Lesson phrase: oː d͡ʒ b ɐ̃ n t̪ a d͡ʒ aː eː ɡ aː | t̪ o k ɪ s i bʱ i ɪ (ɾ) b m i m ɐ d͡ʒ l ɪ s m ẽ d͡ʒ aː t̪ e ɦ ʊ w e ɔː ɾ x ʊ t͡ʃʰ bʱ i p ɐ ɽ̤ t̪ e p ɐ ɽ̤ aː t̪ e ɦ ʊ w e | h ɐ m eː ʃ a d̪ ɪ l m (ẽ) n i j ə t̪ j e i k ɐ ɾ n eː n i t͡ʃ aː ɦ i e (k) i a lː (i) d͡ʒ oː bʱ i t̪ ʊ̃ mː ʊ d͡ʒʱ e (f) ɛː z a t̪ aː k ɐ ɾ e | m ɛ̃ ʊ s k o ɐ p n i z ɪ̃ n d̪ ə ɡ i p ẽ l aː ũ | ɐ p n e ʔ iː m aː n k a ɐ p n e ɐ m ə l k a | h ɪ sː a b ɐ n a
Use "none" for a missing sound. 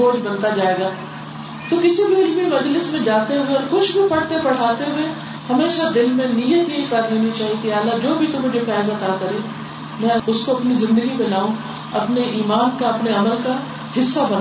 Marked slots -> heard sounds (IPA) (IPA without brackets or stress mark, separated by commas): l, ẽ, k, a, f